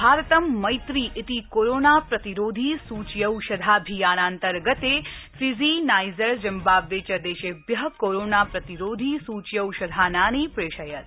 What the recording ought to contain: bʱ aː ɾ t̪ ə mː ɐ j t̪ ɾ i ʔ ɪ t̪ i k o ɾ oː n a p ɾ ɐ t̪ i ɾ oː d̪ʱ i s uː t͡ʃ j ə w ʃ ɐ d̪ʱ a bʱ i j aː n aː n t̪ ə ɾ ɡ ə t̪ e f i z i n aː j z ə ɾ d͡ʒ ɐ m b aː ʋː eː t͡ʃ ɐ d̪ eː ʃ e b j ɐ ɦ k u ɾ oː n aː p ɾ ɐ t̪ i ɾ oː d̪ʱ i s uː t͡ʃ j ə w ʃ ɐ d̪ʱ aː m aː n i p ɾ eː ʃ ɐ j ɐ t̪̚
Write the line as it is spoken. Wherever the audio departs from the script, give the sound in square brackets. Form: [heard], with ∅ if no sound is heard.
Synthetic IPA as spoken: bʱ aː ɾ t̪ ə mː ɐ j t̪ ɾ i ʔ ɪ t̪ i k o ɾ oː n a p ɾ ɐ t̪ i ɾ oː d̪ʱ i s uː t͡ʃ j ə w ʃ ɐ d̪ʱ a bʱ i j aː n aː n t̪ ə ɾ ɡ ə t̪ e f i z i n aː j z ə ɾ d͡ʒ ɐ m b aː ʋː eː t͡ʃ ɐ d̪ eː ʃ e b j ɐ ɦ k [o] ɾ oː n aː p ɾ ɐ t̪ i ɾ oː d̪ʱ i s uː t͡ʃ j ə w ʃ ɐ d̪ʱ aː [n] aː n i p ɾ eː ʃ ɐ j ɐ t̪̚